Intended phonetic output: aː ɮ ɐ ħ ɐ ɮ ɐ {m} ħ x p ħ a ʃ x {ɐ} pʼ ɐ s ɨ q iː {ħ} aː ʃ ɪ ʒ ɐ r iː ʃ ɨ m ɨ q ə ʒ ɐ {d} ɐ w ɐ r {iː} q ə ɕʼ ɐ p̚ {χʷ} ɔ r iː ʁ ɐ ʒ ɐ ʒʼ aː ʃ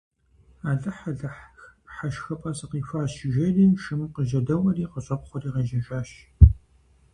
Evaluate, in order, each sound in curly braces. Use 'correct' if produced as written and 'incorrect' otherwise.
incorrect: none, correct, incorrect: f, correct, correct, correct

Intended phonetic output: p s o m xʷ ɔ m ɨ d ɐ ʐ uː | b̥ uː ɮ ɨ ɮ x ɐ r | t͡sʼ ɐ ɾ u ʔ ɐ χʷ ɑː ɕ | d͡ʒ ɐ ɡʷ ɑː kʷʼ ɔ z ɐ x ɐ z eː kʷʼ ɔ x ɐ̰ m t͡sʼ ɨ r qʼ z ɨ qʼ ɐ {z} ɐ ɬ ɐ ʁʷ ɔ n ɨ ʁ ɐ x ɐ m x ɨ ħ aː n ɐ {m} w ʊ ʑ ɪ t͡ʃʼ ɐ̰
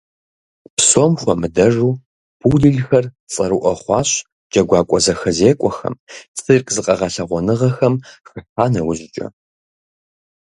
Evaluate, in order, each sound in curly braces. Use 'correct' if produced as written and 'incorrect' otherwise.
incorrect: ʁ, incorrect: none

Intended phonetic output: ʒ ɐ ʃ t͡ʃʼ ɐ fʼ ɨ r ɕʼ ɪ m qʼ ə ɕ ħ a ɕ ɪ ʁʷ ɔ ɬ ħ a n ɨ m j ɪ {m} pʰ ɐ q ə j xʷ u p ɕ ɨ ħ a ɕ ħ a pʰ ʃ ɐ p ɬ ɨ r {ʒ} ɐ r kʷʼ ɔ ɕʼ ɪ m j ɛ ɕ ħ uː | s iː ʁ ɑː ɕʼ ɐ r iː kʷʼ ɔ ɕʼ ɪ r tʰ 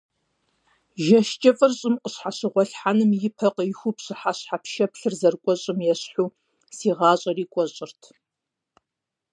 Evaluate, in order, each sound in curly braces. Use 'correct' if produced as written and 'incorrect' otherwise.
incorrect: none, incorrect: z

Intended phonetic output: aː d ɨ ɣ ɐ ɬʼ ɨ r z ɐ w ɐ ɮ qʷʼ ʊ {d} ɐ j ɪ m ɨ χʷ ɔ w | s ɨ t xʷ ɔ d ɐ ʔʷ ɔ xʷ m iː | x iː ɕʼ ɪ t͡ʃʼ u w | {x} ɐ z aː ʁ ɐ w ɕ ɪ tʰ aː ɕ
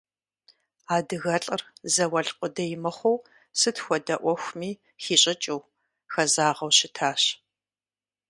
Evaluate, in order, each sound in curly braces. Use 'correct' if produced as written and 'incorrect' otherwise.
correct, correct

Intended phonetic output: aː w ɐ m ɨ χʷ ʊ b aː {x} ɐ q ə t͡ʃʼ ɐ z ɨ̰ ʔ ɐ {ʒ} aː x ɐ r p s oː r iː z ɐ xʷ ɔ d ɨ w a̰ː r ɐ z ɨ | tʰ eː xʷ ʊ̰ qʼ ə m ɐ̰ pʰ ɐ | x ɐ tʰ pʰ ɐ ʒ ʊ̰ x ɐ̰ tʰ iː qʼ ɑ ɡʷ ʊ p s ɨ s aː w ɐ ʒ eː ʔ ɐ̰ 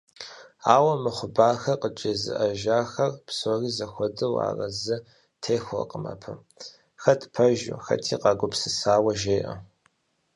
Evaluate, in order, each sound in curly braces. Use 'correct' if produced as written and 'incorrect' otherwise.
correct, correct

